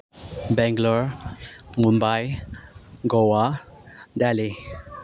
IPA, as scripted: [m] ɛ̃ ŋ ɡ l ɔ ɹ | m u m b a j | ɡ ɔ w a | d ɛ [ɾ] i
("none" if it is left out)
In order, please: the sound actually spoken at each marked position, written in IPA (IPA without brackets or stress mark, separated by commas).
b, l